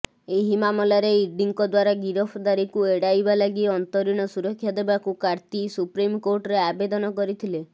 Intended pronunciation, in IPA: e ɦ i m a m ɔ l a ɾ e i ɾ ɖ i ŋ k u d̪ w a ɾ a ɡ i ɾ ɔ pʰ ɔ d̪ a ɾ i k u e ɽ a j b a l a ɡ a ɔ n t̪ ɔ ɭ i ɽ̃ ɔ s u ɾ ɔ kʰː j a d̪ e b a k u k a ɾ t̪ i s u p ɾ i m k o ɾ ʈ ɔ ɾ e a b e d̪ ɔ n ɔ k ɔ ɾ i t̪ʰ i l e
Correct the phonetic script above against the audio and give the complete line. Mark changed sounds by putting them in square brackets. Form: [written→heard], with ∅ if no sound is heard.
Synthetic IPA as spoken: e ɦ i m a m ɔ l a ɾ e i ɾ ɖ i ŋ k [u→ɔ] d̪ w a ɾ a ɡ i ɾ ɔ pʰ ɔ d̪ a ɾ i k u e ɽ a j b a l a ɡ [a→i] ɔ n t̪ ɔ [ɭ→ɾ] i ɽ̃ ɔ s u ɾ ɔ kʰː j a d̪ e b a k u k a ɾ t̪ i s u p ɾ i m k o ɾ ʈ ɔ ɾ e a b e d̪ ɔ n ɔ k ɔ ɾ i t̪ʰ i l e